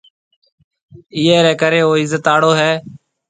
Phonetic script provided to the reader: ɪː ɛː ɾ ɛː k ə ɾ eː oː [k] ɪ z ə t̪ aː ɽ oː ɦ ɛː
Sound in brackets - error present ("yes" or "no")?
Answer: yes